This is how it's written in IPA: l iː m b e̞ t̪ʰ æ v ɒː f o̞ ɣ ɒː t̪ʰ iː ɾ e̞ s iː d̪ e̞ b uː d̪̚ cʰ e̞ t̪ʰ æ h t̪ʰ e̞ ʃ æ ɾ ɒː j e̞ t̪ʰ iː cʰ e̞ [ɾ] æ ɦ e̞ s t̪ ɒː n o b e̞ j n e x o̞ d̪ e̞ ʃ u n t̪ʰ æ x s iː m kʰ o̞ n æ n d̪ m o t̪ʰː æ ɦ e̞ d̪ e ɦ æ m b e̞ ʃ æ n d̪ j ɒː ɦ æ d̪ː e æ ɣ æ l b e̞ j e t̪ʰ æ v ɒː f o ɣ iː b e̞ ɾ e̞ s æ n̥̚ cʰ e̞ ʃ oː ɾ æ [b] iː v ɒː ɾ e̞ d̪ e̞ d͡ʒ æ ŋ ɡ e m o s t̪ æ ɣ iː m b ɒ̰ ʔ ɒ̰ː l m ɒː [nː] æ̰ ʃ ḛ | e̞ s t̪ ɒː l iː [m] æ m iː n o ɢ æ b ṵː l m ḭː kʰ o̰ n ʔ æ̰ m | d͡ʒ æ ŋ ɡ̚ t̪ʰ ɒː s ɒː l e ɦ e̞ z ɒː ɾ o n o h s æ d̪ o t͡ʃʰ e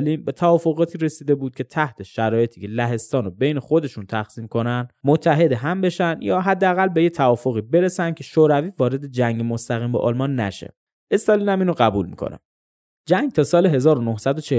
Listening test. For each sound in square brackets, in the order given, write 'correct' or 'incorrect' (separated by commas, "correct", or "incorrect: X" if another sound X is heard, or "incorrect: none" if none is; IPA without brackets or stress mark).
incorrect: l, incorrect: v, correct, incorrect: n